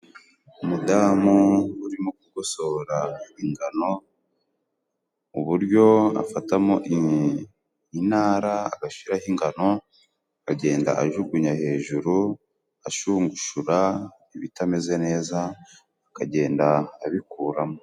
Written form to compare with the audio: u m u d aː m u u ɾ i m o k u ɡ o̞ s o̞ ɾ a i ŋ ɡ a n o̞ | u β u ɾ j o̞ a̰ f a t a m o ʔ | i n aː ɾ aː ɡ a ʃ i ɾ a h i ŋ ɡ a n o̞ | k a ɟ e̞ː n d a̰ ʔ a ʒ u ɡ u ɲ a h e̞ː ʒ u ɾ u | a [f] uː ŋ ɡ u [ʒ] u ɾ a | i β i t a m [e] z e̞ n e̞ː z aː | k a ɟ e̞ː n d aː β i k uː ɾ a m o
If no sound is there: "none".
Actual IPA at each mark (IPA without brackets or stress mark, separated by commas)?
ʃ, ʃ, e